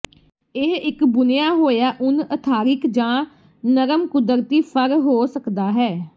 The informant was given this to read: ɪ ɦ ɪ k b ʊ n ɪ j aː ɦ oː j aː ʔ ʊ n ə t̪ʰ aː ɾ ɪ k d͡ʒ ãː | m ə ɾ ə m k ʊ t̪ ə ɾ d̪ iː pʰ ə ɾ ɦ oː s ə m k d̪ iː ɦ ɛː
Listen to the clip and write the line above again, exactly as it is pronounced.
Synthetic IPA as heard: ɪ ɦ ɪ k b ʊ n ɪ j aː ɦ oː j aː ʔ ʊ n ə t̪ʰ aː ɾ ɪ k d͡ʒ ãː | n ə ɾ ə m k ʊ d̪ ə ɾ t̪ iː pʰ ə ɾ ɦ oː s ə k d̪ aː ɦ ɛː